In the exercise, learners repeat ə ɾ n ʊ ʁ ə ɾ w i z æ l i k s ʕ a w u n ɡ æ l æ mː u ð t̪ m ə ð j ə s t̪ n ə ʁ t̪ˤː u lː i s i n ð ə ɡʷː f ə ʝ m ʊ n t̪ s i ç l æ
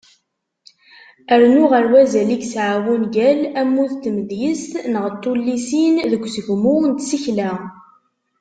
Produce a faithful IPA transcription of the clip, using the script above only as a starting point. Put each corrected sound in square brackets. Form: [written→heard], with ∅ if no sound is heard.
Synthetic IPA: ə ɾ n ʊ ʁ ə ɾ w [i→æ] z æ l i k s ʕ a w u n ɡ æ l æ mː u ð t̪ m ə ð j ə s t̪ n ə ʁ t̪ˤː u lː i s i n ð ə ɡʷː [f→s] ə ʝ m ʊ n t̪ s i ç l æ